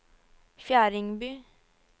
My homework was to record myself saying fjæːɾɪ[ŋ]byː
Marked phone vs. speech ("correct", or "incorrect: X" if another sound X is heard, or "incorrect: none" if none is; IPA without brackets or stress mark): correct